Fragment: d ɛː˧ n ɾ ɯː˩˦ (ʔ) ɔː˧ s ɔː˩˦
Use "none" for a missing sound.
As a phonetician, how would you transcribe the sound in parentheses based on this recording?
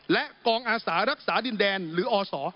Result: ʔ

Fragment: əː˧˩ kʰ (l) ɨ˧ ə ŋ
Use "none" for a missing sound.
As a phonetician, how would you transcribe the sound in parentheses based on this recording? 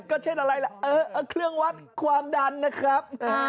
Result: l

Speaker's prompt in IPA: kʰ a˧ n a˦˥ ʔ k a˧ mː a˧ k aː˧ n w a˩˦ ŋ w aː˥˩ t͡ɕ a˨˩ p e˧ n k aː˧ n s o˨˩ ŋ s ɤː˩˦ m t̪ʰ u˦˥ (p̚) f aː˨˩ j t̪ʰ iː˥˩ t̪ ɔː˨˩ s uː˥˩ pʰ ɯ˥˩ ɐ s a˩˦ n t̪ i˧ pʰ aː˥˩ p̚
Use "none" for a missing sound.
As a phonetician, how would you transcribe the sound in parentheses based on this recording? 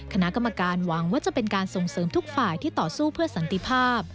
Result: k̚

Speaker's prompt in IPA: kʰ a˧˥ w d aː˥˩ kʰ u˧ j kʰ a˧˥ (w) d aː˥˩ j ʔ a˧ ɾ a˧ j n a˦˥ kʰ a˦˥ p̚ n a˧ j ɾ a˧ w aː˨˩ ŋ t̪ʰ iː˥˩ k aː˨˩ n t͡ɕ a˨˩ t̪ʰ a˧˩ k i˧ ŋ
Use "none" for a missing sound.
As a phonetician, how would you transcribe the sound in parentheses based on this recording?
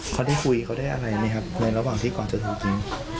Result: w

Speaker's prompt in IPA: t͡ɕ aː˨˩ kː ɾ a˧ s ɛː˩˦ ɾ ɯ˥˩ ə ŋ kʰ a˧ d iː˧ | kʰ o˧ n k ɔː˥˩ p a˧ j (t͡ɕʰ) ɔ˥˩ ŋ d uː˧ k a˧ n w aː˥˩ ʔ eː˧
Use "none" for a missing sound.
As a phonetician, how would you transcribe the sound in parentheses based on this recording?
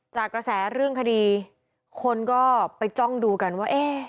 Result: t͡ɕ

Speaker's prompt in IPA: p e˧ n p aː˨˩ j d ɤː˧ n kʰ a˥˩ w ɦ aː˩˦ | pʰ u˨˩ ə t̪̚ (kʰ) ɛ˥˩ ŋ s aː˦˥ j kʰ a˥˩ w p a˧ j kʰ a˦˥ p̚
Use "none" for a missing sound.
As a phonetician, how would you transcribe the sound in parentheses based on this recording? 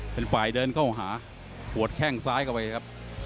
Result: kʰ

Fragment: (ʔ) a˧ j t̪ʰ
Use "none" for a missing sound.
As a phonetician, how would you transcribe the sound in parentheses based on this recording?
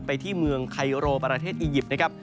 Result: p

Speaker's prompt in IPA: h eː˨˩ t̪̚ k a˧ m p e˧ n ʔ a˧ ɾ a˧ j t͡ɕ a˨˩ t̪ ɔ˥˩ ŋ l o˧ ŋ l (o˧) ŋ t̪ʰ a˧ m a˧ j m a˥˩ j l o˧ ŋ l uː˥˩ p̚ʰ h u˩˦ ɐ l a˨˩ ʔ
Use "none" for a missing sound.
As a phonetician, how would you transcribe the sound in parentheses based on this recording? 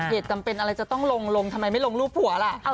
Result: o˧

